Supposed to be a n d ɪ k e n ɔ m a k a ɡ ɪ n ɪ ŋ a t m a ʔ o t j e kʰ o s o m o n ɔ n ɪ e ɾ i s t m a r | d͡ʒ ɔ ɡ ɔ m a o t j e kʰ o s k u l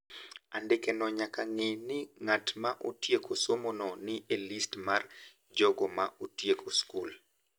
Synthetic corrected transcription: a n d ɪ k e n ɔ ɲ a k a ŋ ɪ n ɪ ŋ a t m a ʔ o t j e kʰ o s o m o n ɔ n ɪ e l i s t m a r | d͡ʒ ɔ ɡ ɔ m a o t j e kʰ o s k u l

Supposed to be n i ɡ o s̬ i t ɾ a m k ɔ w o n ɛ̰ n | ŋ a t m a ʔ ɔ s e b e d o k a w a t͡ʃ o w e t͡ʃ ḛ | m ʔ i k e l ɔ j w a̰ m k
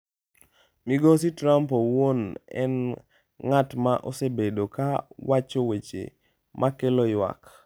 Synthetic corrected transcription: m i ɡ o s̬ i t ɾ a m p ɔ w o n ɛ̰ n | ŋ a t m a ʔ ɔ s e b e d o k a w a t͡ʃ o w e t͡ʃ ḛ | m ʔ a k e l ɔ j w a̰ k

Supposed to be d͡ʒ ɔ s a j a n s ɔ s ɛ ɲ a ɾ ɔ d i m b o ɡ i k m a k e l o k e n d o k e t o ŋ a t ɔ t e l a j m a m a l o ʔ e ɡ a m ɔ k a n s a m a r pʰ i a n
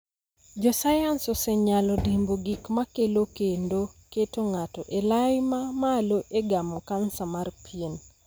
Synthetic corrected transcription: d͡ʒ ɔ s a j a n s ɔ s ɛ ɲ a l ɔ d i m b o ɡ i k m a k e l o k e n d o k e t o ŋ a t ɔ ʔ e l a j m a m a l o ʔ e ɡ a m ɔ k a n s a m a r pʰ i e n

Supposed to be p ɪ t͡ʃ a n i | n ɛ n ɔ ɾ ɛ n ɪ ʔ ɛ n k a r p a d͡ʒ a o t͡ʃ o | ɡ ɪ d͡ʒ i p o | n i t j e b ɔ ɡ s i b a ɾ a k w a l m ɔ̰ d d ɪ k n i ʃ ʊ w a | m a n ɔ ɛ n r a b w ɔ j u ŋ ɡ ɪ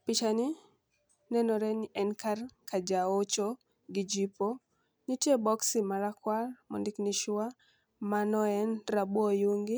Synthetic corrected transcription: p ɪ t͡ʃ a n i | n ɛ n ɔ ɾ ɛ n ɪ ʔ ɛ n k a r k a d͡ʒ a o t͡ʃ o | ɡ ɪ d͡ʒ i p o | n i t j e b ɔ k s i m a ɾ a k w a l m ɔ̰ n d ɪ k n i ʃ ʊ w a | m a n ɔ ɛ n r a b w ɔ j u ŋ ɡ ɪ

